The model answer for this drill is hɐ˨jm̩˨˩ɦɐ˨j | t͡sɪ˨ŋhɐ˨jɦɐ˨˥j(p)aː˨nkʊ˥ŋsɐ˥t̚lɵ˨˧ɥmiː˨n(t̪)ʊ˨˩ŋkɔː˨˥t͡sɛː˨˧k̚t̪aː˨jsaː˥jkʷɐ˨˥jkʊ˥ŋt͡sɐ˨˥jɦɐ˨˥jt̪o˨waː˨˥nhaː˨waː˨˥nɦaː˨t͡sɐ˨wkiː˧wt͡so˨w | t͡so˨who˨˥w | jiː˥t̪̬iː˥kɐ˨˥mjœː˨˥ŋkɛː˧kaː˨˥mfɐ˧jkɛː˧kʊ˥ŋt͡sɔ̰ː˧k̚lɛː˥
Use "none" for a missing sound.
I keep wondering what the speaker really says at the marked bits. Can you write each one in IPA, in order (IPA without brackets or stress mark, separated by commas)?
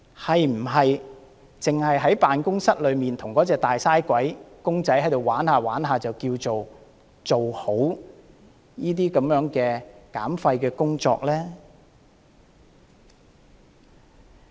p, t̪ʰ